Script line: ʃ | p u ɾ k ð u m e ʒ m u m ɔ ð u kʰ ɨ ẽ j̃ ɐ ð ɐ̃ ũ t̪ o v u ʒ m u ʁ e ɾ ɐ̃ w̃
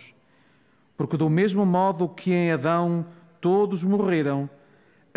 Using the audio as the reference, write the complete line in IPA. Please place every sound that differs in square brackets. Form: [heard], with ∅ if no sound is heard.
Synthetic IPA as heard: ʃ | p u ɾ k ð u m e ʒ m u m ɔ ð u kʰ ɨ ẽ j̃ ɐ ð ɐ̃ [w̃] t̪ o [ð] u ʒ m u ʁ e ɾ ɐ̃ w̃